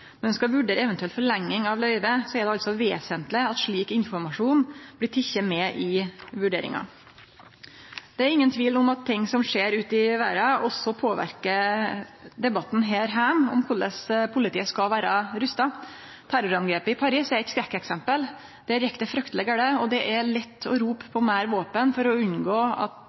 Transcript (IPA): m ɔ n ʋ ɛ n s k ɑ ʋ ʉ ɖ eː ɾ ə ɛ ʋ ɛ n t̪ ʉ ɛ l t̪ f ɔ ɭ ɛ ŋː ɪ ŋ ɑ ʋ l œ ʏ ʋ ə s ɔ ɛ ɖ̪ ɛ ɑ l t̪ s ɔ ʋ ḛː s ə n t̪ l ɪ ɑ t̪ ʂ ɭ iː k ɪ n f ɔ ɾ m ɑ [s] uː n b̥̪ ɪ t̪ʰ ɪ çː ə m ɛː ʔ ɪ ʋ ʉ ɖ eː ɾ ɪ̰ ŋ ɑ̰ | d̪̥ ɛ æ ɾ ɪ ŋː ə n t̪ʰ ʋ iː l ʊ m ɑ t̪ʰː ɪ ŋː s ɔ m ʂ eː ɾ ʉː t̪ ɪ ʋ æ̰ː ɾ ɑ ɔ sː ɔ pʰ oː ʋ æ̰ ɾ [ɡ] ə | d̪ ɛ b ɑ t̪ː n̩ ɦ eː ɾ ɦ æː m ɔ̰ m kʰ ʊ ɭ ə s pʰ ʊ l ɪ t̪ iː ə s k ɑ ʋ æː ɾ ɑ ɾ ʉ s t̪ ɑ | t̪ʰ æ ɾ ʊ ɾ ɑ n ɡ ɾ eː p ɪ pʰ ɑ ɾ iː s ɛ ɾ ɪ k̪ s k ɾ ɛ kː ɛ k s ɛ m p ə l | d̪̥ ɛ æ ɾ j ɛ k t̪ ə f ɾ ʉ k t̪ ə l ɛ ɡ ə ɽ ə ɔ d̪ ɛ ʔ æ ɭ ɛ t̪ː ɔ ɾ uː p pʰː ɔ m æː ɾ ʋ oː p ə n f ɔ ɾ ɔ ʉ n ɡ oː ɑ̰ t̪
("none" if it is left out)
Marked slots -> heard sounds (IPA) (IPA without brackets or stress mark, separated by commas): ʂ, k